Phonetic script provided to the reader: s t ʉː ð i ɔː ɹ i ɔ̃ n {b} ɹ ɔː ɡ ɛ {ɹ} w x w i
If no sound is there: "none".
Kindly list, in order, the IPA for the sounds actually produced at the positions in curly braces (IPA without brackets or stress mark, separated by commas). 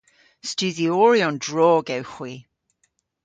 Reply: d, none